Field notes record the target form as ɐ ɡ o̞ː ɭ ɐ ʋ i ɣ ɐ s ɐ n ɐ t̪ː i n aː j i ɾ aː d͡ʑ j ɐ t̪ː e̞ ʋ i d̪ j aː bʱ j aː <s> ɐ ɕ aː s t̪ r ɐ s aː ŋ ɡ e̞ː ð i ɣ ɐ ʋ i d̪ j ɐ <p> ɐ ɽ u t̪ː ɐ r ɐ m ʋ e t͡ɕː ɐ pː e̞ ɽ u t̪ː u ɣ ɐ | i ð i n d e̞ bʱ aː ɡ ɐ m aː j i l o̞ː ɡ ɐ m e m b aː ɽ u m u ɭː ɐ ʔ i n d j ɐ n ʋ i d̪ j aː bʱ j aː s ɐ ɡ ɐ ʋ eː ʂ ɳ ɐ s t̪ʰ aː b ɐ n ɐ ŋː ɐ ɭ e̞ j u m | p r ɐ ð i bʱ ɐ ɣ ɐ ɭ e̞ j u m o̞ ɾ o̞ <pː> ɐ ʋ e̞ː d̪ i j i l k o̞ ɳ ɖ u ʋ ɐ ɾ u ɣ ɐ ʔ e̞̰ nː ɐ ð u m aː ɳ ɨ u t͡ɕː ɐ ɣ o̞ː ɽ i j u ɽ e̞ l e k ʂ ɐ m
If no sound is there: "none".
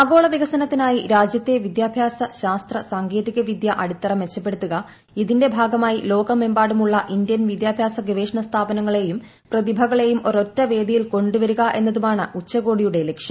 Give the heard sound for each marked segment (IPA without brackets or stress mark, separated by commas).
s, ʔ, tː